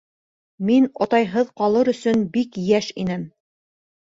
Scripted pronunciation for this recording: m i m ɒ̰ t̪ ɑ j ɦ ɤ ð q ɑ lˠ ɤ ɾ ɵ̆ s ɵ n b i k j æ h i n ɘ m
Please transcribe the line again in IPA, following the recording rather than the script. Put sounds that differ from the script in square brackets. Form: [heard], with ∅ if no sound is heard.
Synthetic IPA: m i [n] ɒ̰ t̪ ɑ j ɦ ɤ ð q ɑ lˠ ɤ ɾ ɵ̆ s ɵ n b i k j æ [ʃ] i n ɘ m